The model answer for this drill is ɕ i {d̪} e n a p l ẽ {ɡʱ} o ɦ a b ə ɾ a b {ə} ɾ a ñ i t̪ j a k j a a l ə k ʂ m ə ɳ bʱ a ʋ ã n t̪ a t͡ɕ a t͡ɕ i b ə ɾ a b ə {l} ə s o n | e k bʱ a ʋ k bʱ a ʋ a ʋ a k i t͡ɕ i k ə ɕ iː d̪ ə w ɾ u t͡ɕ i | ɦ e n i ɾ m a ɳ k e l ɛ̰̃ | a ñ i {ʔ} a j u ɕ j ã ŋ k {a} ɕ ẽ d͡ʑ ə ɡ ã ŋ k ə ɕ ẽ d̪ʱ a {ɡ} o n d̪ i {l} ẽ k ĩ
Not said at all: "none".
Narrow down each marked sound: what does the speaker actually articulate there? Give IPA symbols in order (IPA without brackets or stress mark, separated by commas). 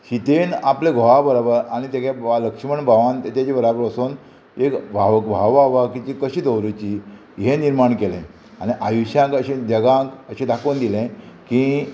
t̪, ɡʱ, ə, ɾ, ʔ, ə, k, l